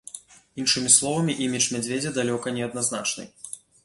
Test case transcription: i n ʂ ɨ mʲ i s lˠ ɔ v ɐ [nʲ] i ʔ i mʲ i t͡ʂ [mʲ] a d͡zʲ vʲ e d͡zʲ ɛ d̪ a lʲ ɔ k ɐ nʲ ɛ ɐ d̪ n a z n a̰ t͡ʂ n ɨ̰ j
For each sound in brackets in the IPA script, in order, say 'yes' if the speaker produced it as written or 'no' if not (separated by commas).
no, yes